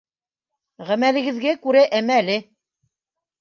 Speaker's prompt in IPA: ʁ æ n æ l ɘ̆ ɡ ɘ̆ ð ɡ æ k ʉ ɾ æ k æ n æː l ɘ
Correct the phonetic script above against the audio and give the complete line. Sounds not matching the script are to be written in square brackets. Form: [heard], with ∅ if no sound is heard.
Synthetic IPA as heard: ʁ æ [m] æ l ɘ̆ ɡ ɘ̆ ð ɡ æ k ʉ ɾ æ [ʔ] æ [m] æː l ɘ